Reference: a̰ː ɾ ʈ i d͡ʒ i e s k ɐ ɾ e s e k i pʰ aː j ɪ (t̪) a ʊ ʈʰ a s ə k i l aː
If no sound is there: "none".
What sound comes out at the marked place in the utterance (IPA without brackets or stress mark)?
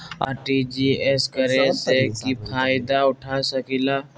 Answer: d̪